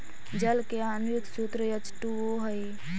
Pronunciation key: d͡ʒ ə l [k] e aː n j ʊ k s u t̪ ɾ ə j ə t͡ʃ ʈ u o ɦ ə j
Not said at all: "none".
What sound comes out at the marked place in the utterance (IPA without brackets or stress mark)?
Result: k